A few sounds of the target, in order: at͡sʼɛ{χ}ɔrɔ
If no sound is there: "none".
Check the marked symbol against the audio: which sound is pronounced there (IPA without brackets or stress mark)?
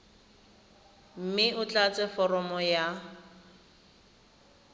f